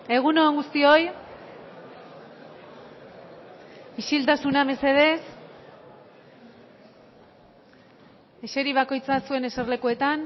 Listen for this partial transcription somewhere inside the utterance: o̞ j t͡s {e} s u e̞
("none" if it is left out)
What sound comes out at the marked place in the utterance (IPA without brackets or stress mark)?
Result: a